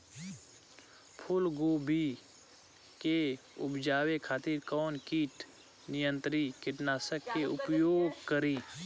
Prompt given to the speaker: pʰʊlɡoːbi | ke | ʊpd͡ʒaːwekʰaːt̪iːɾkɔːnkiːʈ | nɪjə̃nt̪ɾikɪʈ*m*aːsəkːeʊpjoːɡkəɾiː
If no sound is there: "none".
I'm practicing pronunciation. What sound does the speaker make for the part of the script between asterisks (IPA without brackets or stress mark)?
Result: n